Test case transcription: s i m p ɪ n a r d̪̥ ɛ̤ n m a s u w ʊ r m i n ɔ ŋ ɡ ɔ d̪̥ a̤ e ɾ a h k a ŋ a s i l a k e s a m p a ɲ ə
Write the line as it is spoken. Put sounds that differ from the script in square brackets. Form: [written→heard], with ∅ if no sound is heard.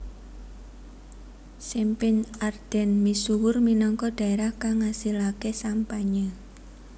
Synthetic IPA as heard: s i m p ɪ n a r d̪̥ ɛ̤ n m [a→i] s u w ʊ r m i n ɔ ŋ [ɡ→k] ɔ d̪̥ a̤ e ɾ a h k a ŋ a s i l a k e s a m p a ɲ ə